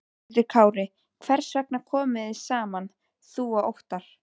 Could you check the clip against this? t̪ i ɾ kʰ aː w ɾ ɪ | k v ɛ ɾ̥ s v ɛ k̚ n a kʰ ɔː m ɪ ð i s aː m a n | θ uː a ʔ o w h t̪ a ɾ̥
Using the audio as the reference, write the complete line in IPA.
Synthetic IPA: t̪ ɪ ɾ kʰ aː w ɾ ɪ | kʰ v ɛ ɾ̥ s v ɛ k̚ n a kʰ ɔː m ɪ ð ɪ s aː m a n | θ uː a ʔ o w h t̪ a ɾ̥